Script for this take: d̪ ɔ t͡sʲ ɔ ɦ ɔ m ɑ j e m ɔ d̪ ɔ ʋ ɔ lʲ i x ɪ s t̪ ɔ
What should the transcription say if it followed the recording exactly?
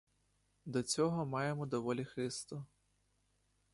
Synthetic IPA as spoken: d̪ ɔ t͡sʲ ɔ ɦ ɔ m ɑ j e m ɔ d̪ ɔ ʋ ɔ lʲ i x ɪ s t̪ ɔ